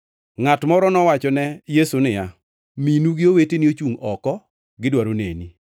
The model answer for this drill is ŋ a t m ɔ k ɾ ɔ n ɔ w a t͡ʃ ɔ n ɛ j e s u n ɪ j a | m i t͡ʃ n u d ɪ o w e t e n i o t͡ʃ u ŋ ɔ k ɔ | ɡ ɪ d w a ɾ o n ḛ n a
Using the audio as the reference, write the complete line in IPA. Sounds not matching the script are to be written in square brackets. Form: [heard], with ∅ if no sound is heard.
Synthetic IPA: ŋ a t m ɔ [∅] ɾ ɔ n ɔ w a t͡ʃ ɔ n ɛ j e s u n ɪ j a | m i [∅] n u [ɡ] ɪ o w e t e n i o t͡ʃ u ŋ ɔ k ɔ | ɡ ɪ d w a ɾ o n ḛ n [i]